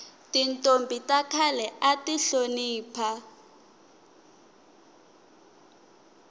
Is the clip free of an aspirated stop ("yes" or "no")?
no